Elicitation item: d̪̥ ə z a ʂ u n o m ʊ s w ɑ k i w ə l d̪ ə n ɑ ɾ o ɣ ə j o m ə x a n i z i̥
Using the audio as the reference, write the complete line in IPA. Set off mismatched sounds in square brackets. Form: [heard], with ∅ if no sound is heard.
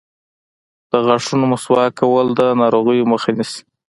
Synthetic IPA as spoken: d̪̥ ə [ɣ] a ʂ u n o m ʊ s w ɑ k [a] w ə l d̪ ə n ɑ ɾ o ɣ ə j o m ə x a n i [s] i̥